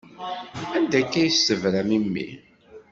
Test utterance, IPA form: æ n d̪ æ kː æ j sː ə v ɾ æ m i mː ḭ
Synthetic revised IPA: æ n d̪ æ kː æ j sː ə v ɾ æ m i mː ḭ